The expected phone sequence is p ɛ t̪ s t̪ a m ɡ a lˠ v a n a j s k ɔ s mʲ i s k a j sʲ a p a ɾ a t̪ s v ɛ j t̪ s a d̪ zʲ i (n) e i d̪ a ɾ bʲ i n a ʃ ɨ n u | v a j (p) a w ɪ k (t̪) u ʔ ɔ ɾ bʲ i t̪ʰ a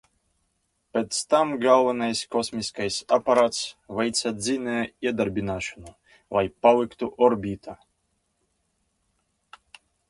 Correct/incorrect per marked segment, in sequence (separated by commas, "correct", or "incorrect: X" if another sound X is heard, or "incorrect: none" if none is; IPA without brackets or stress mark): correct, correct, correct